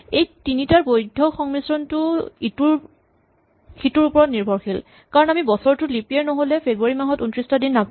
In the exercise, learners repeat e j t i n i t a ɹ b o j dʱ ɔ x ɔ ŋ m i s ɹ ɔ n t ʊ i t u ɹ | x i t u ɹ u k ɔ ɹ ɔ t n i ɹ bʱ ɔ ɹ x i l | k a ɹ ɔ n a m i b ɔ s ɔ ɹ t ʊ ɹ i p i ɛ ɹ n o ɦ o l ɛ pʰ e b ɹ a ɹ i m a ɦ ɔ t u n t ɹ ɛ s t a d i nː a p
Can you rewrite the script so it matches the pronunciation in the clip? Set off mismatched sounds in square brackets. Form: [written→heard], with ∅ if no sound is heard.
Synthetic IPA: e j t i n i t a ɹ b o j dʱ ɔ x ɔ ŋ m i s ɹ ɔ n t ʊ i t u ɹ | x i t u ɹ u [k→p] ɔ ɹ ɔ t n i ɹ bʱ ɔ ɹ x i l | k a ɹ ɔ n a m i b ɔ s ɔ ɹ t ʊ [ɹ→l] i p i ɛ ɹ n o ɦ o l ɛ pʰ e b ɹ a ɹ i m a ɦ ɔ t u n t ɹ [ɛ→i] s t a d i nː a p